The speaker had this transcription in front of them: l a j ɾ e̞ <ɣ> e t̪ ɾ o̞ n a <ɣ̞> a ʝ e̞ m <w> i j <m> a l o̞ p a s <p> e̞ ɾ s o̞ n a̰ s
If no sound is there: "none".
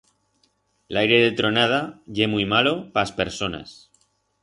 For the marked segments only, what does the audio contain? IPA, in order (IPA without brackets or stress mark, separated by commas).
ð, ð̞, u, m, p